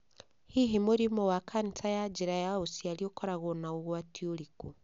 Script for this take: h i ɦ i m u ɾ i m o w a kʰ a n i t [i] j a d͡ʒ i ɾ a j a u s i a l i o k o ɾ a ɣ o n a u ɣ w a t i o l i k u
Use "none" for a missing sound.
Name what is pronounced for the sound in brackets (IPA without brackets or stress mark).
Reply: a